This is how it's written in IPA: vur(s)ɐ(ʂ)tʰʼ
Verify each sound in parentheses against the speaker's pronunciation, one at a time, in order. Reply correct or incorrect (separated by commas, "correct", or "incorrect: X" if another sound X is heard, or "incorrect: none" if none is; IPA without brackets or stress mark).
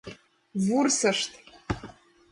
correct, correct